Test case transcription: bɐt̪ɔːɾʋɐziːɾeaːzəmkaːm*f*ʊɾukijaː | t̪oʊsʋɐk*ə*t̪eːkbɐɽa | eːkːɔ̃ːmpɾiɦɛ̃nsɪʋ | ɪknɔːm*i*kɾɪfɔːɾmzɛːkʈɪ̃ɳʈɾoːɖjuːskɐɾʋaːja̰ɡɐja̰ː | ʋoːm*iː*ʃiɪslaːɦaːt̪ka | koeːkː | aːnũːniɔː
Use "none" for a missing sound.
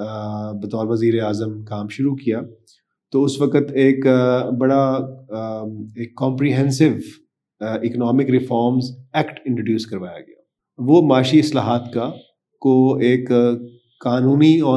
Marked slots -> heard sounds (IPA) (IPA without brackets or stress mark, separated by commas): ʃ, ə, ɪ, aː